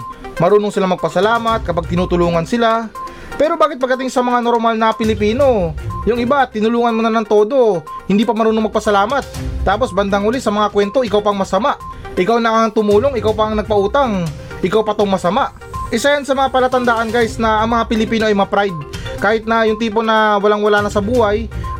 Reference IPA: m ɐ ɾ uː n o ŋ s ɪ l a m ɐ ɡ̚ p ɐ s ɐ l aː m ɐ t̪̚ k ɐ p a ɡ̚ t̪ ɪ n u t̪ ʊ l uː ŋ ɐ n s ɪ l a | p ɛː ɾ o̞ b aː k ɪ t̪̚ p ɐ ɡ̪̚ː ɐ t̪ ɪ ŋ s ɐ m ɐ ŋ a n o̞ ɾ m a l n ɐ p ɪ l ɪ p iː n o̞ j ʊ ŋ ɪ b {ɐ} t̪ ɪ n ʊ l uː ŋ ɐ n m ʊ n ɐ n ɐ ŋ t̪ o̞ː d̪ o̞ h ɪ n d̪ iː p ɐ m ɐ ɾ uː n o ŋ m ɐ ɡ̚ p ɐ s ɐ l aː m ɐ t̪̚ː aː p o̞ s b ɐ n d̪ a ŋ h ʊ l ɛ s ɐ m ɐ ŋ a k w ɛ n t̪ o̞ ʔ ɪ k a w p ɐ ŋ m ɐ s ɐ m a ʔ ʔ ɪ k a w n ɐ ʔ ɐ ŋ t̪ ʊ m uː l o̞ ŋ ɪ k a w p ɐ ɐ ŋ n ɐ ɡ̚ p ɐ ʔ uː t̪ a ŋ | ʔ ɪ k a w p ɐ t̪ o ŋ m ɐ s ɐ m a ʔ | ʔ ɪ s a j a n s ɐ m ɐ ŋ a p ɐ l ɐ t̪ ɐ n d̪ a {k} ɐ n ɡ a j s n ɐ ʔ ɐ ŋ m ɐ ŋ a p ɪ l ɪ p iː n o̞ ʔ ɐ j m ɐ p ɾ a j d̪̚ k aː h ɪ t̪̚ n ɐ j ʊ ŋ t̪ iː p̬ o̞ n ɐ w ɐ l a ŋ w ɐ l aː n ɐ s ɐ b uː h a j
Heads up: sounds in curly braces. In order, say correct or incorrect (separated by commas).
incorrect, incorrect